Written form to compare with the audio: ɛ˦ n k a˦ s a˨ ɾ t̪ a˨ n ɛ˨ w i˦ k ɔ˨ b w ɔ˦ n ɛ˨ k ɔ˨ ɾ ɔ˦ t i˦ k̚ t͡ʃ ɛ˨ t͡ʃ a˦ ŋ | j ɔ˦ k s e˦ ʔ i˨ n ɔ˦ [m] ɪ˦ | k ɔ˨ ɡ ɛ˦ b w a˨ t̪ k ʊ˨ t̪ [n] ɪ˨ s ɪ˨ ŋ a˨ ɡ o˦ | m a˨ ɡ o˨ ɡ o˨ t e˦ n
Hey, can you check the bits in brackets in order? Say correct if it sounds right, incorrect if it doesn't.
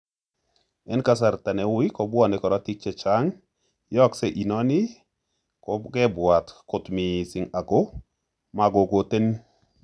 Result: incorrect: n, incorrect: m

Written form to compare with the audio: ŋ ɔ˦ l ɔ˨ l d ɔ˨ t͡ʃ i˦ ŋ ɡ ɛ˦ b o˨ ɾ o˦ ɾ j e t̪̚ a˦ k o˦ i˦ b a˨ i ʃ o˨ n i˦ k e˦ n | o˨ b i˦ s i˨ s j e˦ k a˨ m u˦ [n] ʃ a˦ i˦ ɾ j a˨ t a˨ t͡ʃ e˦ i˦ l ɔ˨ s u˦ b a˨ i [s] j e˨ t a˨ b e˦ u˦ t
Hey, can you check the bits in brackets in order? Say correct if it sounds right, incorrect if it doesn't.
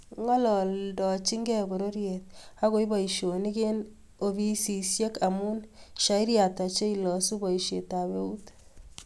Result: correct, incorrect: ʃ

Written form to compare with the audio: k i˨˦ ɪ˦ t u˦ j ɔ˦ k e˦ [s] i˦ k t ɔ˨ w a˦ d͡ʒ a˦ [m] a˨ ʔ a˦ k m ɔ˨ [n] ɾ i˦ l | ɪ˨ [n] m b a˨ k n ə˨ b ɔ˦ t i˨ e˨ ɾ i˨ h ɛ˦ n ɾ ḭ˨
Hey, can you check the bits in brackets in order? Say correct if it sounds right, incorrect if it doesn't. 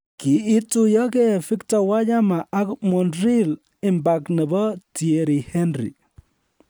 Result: incorrect: f, correct, correct, incorrect: none

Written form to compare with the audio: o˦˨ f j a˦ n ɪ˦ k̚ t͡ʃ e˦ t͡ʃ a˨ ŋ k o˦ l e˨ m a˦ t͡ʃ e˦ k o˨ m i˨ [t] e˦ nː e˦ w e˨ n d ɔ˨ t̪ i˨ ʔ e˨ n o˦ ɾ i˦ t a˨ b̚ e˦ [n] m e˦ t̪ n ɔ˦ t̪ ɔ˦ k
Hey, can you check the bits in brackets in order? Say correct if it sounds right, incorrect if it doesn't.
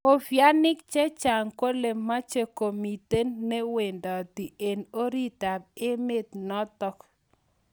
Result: correct, incorrect: none

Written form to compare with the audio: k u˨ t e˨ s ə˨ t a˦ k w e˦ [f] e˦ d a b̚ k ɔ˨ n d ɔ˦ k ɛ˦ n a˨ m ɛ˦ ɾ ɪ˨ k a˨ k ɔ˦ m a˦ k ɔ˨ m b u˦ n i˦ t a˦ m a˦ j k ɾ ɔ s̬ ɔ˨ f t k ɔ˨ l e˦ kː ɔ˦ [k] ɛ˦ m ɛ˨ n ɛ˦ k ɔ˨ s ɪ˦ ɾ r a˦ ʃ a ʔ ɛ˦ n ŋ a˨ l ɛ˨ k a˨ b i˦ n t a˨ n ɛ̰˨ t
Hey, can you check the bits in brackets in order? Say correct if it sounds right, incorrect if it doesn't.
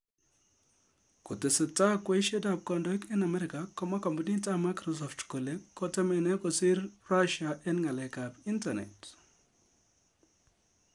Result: incorrect: ʃ, incorrect: t

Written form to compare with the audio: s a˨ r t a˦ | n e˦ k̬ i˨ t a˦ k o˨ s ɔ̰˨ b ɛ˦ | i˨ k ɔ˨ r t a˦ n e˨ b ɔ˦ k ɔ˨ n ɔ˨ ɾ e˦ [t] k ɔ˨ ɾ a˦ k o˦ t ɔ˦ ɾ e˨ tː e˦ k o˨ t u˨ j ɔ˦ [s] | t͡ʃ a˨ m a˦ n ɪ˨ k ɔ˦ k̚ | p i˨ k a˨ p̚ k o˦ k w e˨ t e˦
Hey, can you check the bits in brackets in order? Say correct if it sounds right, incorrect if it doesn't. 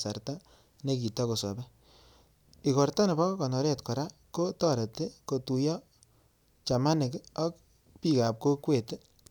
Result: correct, incorrect: none

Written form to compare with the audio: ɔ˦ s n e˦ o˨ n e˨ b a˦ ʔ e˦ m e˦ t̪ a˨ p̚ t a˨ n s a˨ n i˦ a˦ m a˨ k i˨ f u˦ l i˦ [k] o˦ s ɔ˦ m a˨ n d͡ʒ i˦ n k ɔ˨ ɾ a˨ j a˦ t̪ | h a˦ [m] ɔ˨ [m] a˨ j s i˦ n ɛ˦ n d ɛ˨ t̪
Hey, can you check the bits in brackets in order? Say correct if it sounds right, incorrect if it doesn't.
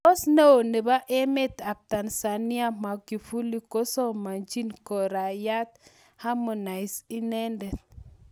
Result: correct, correct, incorrect: n

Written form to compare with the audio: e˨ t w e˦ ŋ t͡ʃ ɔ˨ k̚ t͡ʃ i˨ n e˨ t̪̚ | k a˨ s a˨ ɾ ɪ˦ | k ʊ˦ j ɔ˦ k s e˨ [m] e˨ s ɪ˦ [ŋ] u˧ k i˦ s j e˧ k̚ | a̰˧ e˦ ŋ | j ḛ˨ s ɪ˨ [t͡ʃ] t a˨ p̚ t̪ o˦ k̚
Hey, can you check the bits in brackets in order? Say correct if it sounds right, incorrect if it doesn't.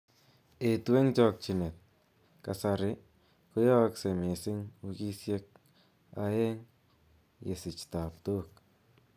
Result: correct, correct, correct

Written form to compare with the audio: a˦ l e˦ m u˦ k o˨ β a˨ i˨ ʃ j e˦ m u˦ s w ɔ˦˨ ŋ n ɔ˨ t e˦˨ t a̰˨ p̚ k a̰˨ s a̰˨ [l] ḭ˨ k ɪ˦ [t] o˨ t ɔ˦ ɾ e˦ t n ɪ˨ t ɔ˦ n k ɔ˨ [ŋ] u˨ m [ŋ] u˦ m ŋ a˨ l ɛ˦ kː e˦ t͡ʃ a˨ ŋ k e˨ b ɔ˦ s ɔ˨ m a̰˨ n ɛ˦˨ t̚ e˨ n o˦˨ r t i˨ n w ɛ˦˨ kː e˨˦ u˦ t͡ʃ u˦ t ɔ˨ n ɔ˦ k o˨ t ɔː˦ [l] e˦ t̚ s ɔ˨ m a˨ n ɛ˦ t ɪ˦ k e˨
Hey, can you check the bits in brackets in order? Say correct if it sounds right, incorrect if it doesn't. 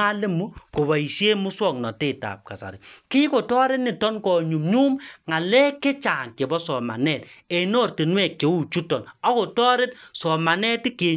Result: incorrect: ɾ, incorrect: k, incorrect: ɲ, incorrect: ɲ, incorrect: ɾ

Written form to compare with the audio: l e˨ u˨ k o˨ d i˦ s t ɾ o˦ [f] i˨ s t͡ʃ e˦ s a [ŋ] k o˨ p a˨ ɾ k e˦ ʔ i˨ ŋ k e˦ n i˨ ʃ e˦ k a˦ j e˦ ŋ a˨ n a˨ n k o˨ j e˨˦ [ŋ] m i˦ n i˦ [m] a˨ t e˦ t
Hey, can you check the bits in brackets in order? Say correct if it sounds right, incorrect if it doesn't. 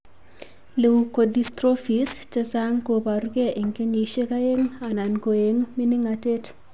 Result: correct, correct, correct, incorrect: ŋ

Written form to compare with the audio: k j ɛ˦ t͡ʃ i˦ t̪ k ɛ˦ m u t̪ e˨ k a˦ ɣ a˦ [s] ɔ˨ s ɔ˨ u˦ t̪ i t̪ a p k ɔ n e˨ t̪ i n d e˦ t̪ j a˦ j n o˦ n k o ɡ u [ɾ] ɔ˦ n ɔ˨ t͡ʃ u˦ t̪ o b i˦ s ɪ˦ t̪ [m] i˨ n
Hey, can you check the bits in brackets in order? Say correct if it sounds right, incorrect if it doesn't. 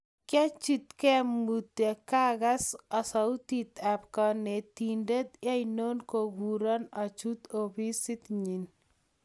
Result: correct, correct, incorrect: ɲ

